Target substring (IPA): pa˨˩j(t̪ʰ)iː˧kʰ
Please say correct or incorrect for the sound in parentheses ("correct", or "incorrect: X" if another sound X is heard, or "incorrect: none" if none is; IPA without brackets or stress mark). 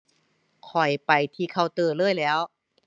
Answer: correct